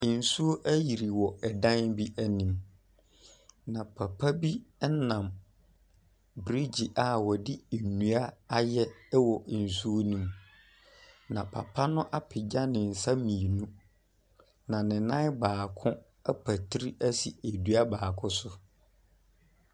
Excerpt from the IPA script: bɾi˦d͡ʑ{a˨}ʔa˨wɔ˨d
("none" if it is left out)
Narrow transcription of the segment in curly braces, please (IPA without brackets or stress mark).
i˨